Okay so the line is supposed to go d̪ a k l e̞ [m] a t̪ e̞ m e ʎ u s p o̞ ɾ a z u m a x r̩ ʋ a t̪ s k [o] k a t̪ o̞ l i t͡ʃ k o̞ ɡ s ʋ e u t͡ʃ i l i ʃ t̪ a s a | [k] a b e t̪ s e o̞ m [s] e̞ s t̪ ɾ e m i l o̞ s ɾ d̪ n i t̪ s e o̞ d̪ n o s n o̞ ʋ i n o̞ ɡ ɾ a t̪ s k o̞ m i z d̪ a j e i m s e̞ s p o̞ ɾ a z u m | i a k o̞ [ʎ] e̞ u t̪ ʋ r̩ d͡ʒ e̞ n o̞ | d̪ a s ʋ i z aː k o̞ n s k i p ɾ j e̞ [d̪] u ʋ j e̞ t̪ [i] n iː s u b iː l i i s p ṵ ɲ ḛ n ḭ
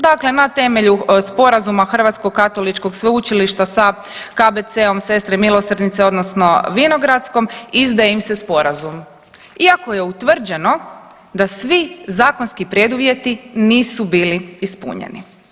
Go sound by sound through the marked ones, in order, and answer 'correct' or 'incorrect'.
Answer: incorrect: n, correct, correct, correct, incorrect: j, correct, correct

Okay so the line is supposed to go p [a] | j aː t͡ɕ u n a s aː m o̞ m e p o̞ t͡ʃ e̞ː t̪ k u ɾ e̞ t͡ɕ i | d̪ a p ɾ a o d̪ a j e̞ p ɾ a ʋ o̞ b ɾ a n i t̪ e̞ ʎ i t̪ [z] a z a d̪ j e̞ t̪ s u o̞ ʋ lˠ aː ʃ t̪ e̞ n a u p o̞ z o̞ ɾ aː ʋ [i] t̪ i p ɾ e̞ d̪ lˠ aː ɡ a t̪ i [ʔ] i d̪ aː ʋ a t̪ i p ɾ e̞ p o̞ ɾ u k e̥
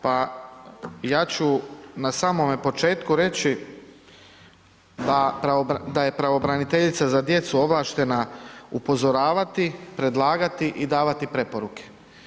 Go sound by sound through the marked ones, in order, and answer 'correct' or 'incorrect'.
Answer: correct, incorrect: s, incorrect: a, correct

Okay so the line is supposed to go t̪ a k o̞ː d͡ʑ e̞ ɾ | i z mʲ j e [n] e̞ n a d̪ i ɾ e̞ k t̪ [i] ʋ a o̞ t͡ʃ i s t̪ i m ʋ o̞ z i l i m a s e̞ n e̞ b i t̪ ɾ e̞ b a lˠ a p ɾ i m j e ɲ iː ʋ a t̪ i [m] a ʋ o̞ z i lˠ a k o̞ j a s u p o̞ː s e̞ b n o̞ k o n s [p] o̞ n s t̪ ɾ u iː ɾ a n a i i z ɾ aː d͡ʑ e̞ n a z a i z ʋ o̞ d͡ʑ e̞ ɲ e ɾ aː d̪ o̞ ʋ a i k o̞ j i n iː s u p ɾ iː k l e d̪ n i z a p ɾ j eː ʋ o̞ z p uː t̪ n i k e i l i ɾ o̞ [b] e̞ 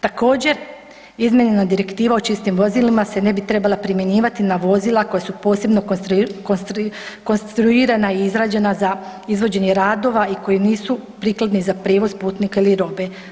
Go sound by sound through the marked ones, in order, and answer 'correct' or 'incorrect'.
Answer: incorrect: ɲ, incorrect: iː, incorrect: n, incorrect: k, correct

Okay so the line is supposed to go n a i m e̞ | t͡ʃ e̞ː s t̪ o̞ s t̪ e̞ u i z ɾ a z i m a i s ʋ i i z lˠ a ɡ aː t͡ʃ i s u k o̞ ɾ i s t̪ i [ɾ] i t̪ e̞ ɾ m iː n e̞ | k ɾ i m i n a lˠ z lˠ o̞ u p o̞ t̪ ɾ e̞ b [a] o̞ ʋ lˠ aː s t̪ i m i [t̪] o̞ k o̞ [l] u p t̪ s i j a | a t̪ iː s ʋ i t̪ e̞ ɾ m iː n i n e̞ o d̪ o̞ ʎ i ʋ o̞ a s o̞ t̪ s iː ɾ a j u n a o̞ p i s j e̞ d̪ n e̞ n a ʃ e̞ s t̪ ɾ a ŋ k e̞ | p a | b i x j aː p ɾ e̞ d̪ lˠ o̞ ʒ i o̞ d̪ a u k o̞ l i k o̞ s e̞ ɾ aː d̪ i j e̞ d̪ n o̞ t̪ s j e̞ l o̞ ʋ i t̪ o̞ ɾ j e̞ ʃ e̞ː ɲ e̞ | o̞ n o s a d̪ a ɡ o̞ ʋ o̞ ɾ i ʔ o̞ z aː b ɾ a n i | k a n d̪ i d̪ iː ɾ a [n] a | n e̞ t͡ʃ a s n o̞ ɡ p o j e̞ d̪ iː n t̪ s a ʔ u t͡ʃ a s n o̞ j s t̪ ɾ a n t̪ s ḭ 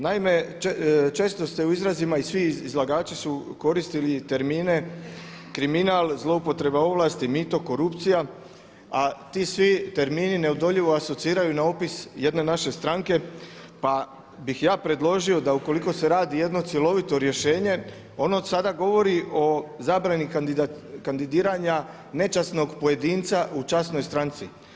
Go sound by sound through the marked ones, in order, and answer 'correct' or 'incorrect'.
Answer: incorrect: l, correct, correct, incorrect: ɾ, incorrect: ɲ

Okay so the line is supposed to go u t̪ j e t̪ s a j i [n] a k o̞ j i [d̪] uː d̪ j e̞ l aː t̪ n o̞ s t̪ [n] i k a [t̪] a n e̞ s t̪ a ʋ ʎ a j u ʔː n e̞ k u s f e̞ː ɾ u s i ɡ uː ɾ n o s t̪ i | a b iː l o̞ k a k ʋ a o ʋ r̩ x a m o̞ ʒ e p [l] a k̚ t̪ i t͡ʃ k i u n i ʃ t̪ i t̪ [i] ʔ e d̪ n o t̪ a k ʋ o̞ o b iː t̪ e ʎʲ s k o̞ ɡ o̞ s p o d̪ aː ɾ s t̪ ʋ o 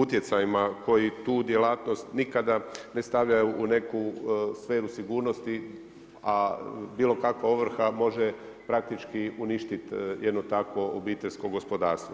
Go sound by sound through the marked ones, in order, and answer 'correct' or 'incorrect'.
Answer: incorrect: m, incorrect: t̪, correct, incorrect: d̪, incorrect: ɾ, incorrect: j

